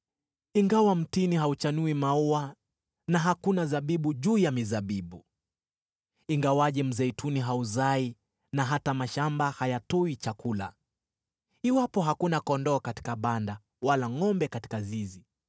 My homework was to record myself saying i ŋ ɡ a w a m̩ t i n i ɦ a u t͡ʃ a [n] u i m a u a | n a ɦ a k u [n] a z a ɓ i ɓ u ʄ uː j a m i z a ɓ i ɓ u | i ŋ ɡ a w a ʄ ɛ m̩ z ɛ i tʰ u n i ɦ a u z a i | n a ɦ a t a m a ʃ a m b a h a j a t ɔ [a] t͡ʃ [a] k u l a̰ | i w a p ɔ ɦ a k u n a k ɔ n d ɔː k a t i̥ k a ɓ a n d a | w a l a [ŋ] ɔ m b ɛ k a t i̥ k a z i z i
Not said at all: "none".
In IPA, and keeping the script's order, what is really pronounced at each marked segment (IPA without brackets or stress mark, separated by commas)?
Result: n, n, i, a, ŋ